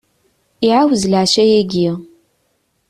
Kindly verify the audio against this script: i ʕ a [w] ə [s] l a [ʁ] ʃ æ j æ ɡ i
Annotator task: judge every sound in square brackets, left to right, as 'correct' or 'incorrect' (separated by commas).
correct, incorrect, incorrect